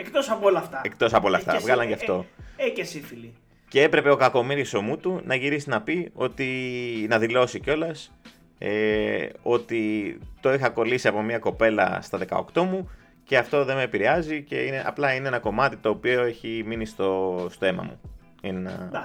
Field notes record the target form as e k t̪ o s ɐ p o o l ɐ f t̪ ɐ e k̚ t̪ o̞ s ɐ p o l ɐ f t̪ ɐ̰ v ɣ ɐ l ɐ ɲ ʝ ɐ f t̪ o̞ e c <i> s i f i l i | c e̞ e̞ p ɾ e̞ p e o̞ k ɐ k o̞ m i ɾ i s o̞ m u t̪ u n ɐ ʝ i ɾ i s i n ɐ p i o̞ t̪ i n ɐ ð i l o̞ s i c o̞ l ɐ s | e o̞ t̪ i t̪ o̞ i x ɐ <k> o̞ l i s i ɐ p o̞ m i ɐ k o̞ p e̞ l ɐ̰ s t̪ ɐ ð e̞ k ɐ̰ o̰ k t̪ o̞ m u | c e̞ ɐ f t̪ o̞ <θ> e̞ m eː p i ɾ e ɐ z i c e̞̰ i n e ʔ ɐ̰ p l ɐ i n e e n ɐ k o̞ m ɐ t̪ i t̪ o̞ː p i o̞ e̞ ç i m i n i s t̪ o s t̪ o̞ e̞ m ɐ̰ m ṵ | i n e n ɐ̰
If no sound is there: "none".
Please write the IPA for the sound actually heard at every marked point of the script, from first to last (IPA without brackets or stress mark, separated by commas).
e, k, ð